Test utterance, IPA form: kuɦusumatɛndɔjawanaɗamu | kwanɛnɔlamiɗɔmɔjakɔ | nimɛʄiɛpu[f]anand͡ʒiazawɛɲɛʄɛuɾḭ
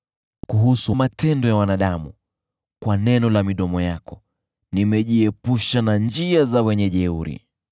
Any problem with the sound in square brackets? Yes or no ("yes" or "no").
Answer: yes